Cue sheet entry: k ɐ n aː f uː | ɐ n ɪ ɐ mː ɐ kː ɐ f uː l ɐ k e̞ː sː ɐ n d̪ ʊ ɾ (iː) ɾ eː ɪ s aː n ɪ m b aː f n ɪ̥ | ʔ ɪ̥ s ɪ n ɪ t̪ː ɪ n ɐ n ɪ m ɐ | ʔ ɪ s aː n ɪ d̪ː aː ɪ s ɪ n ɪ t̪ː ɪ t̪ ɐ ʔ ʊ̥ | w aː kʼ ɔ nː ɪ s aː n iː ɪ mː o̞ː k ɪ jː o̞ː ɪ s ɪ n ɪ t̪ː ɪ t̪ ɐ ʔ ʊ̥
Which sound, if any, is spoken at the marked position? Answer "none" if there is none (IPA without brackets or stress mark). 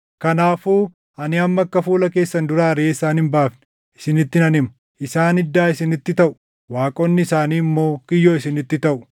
aː